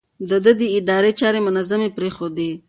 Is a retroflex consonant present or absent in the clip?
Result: absent